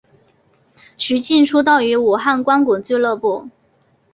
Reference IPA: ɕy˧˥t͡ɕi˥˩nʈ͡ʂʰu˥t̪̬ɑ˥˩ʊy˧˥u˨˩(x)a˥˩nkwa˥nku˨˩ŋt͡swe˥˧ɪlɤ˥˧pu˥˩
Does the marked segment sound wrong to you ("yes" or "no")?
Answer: no